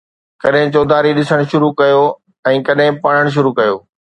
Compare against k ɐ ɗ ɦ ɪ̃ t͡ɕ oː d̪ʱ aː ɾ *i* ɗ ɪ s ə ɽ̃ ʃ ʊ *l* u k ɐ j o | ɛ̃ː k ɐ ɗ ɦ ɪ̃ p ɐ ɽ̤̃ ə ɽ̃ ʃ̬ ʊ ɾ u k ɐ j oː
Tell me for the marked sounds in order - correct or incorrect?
correct, incorrect

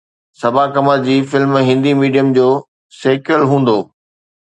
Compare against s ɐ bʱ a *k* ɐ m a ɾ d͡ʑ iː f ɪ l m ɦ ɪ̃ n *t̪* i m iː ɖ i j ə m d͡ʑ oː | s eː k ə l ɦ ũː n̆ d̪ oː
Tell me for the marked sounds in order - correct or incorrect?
correct, incorrect

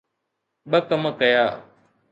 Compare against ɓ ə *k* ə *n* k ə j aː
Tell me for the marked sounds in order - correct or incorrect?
correct, incorrect

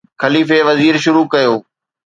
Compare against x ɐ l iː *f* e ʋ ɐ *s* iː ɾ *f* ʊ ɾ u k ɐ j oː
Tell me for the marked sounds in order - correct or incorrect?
correct, incorrect, incorrect

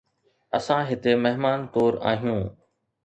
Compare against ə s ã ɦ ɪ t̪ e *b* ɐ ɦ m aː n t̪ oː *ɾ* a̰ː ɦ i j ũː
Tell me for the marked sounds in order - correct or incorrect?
incorrect, correct

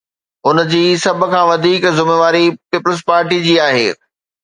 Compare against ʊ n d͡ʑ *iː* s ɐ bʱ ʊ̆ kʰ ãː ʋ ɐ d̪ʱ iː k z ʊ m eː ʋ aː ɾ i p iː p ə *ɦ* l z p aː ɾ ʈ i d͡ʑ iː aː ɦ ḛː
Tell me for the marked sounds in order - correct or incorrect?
correct, incorrect

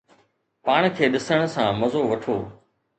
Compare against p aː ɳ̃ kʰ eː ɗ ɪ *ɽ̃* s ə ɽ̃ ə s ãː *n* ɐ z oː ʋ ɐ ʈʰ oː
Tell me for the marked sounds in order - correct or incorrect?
incorrect, incorrect

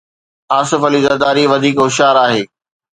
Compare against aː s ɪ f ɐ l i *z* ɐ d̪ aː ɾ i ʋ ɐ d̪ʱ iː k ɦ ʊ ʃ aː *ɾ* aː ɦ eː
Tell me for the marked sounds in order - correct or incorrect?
correct, correct

